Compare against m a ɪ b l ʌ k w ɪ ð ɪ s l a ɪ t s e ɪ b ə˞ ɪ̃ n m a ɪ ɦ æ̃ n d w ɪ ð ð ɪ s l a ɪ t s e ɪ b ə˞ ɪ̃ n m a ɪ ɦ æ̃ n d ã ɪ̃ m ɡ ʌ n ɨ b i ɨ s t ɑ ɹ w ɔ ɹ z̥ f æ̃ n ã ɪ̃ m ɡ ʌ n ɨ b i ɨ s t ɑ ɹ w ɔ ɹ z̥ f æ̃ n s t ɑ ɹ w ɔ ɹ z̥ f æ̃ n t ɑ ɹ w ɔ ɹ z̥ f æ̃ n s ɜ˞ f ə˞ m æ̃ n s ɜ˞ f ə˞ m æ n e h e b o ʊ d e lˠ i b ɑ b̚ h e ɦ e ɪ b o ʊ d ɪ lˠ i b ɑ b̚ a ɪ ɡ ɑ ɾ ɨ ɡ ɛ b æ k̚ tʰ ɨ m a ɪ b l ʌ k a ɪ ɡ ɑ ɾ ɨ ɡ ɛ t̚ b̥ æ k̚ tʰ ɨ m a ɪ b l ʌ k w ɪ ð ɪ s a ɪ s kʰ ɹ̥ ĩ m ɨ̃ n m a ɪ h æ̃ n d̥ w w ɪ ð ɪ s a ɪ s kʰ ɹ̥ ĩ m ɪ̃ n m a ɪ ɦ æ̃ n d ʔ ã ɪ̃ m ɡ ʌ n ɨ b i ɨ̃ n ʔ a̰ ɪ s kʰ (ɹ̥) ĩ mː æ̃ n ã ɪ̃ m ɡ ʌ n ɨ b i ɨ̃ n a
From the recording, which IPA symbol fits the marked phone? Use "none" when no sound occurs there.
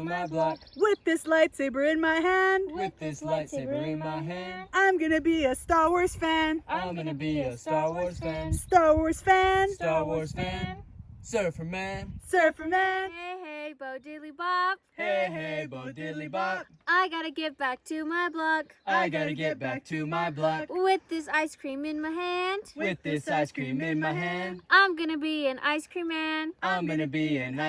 ɹ̥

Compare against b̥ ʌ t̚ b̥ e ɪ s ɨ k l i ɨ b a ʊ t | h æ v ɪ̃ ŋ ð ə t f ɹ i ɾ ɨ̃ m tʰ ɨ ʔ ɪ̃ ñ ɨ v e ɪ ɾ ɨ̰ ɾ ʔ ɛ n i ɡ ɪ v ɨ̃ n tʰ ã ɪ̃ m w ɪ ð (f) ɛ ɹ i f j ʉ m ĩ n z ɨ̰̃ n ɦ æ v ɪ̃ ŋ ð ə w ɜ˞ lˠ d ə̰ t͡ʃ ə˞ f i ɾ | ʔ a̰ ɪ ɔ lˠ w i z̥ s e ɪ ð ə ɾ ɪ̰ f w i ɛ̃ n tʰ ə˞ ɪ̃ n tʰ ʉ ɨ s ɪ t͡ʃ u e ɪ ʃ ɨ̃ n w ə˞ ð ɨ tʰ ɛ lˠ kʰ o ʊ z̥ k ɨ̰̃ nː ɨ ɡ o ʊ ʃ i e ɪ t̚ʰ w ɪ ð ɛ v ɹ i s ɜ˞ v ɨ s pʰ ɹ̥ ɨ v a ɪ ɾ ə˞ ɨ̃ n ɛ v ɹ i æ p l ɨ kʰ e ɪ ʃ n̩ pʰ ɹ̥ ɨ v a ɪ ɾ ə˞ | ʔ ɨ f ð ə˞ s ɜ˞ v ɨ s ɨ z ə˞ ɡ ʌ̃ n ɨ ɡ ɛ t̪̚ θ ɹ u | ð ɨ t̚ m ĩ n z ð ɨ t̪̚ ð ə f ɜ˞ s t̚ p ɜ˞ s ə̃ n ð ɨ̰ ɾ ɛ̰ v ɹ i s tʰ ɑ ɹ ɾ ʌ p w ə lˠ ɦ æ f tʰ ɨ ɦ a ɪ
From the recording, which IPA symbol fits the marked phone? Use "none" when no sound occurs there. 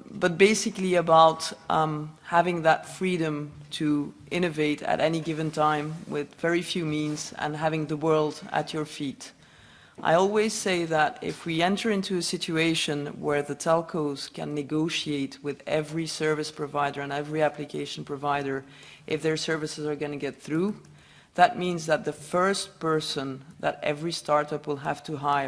v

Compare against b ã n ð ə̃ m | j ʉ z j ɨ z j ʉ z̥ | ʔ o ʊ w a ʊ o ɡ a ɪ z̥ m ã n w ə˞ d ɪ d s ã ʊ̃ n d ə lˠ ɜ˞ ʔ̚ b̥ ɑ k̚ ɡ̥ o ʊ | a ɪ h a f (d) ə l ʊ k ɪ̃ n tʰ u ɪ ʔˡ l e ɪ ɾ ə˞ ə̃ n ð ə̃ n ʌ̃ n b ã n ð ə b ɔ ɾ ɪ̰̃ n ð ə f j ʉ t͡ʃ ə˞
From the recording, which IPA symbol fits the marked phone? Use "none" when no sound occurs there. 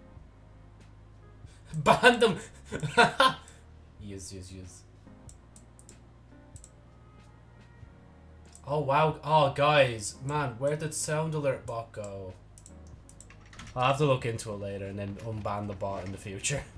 t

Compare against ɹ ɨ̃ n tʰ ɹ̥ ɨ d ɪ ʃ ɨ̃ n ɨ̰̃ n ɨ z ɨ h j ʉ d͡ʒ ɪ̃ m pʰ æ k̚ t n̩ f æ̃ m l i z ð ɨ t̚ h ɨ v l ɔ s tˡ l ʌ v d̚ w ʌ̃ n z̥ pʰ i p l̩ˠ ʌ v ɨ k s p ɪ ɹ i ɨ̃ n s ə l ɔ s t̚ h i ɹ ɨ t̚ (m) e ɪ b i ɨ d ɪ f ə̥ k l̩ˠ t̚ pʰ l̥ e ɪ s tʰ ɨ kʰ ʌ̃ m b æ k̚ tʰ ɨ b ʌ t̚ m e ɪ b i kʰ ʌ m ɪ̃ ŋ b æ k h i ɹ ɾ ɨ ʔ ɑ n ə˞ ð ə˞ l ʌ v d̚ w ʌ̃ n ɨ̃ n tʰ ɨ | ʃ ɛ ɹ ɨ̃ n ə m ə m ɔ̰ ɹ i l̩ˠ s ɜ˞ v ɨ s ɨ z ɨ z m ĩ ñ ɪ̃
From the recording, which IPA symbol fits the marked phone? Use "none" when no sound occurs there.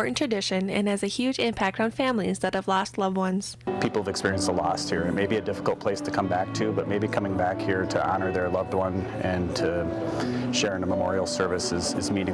m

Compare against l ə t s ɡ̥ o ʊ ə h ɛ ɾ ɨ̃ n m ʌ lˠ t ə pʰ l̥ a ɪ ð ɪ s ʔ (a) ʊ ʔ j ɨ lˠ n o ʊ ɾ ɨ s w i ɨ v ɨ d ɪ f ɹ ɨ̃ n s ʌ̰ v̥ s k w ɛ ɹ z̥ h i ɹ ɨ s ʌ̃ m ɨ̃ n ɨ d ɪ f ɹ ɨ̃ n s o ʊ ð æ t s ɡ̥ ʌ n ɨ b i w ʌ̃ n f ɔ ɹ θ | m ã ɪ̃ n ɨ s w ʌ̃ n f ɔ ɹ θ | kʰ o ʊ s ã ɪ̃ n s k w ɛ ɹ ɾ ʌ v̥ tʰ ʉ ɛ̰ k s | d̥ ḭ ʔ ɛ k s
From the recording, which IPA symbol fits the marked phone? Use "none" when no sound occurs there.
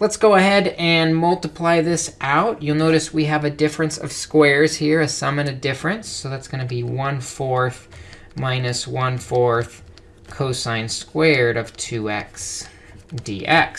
a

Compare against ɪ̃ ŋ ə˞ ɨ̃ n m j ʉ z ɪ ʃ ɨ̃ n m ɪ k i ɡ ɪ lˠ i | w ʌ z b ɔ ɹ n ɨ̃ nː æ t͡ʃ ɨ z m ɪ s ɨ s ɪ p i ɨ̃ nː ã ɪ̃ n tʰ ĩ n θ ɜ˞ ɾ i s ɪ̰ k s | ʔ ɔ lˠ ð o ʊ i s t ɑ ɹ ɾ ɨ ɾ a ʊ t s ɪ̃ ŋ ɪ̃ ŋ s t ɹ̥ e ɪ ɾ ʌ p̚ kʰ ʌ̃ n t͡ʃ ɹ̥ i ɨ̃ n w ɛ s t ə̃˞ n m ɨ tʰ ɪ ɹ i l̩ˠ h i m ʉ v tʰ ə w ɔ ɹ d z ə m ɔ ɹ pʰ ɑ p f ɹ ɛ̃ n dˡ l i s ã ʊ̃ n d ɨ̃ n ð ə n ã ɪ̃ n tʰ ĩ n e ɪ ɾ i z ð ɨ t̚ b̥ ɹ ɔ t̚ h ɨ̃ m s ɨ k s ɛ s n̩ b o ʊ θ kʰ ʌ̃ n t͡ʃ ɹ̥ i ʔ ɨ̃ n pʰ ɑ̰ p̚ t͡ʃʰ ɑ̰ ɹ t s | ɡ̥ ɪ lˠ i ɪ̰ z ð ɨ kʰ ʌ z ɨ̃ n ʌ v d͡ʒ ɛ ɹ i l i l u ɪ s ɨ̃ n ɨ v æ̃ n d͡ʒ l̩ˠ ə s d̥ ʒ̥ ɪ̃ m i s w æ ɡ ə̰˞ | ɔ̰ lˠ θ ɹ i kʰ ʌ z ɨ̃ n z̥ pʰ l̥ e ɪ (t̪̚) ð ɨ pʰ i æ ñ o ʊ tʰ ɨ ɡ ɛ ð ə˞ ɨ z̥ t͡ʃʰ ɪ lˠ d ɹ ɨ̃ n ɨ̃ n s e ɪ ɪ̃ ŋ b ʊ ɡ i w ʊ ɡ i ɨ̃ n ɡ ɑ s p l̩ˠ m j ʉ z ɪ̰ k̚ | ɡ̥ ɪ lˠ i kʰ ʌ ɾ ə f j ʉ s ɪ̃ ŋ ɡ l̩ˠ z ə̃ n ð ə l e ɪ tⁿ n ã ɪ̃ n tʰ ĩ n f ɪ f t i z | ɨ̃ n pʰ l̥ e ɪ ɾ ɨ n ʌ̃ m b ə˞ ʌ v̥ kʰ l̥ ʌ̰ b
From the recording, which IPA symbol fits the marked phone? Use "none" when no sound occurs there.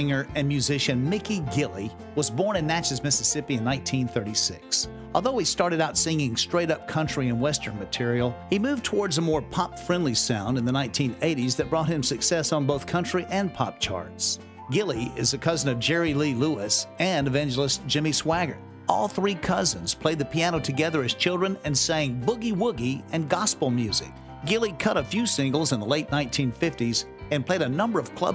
d̪̚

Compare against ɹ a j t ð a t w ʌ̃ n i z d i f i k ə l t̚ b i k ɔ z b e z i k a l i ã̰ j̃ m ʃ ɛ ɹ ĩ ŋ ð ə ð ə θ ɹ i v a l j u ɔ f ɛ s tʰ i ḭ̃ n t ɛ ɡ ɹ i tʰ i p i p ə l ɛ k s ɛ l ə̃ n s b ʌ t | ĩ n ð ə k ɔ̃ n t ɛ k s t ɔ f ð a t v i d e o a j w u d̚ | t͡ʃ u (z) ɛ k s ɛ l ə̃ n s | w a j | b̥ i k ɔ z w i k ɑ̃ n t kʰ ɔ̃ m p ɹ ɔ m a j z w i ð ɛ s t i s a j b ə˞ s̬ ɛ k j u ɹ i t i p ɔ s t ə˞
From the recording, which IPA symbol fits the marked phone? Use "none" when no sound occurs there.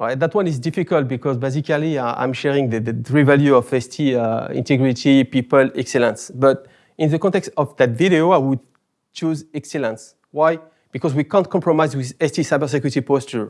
z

